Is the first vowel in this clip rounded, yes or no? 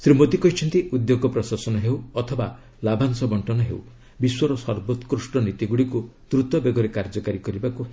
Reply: no